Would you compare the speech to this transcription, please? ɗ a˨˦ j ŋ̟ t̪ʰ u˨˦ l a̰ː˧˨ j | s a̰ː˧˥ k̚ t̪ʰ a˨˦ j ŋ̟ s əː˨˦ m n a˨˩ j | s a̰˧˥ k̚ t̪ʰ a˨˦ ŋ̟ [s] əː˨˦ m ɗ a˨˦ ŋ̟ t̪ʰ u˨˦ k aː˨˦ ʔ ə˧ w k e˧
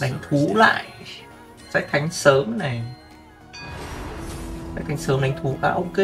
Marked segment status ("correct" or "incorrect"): correct